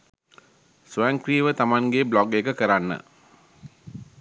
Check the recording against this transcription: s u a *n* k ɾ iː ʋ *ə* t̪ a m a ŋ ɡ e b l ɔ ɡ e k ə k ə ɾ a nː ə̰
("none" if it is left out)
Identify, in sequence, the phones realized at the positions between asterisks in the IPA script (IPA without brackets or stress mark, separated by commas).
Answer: ŋ, ə